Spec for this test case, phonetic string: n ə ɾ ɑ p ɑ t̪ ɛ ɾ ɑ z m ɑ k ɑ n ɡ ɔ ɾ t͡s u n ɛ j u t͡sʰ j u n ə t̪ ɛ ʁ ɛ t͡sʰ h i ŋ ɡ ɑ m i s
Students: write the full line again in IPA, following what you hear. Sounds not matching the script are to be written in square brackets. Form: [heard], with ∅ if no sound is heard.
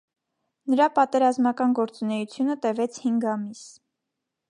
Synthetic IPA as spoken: n ə ɾ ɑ p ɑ t̪ ɛ ɾ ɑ z m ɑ k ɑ n ɡ ɔ ɾ t͡s u n ɛ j u t͡sʰ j u n ə t̪ ɛ [v] ɛ t͡sʰ h i ŋ ɡ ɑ m i s